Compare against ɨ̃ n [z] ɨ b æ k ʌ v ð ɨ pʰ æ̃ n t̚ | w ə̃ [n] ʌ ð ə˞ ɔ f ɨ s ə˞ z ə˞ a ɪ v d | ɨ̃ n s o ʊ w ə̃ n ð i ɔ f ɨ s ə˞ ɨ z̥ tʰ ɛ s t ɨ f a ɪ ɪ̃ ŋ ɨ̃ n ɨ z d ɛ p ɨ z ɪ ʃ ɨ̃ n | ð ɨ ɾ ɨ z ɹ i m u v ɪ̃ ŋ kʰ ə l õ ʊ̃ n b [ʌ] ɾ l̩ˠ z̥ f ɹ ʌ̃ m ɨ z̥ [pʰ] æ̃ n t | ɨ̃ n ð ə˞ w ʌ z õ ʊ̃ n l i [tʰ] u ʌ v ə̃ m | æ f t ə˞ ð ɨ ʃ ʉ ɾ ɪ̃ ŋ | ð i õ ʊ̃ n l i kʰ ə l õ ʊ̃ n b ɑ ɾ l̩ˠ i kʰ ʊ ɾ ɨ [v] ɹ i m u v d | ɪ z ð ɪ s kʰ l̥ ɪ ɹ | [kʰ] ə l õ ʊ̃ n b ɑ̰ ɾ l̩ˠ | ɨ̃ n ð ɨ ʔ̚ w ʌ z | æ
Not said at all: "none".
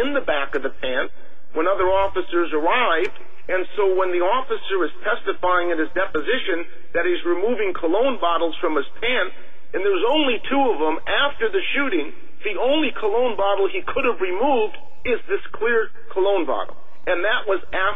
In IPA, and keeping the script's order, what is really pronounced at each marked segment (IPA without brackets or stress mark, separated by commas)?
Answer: ð, n, ɑ, pʰ, tʰ, v, kʰ